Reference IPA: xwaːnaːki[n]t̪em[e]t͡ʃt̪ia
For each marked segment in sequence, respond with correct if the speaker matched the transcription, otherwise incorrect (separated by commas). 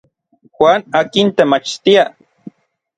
correct, incorrect